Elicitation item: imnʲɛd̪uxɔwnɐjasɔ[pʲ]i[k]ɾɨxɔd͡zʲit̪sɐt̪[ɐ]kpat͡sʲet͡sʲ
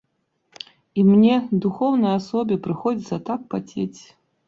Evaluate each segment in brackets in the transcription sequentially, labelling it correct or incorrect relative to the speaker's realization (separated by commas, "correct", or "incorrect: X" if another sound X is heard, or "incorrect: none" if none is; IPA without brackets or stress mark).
incorrect: bʲ, incorrect: p, incorrect: a